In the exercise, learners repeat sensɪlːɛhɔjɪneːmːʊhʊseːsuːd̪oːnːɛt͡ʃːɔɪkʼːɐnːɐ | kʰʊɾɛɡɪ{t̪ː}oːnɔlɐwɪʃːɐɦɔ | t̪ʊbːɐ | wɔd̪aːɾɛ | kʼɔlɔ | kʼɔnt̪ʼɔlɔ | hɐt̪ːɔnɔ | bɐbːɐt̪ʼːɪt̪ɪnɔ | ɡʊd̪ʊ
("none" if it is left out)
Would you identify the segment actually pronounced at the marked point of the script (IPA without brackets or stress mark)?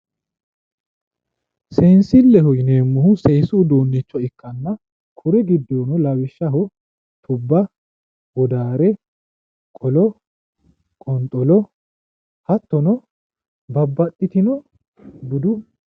d̪ː